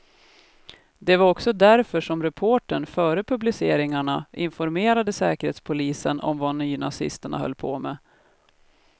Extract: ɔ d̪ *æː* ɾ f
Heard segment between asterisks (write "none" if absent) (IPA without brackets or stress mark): æ